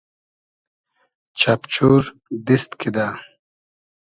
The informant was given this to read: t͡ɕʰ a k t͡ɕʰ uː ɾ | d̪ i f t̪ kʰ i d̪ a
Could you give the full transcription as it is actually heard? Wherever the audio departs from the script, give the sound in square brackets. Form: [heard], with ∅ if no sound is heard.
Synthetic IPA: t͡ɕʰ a [p] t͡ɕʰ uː ɾ | d̪ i [s] t̪ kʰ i d̪ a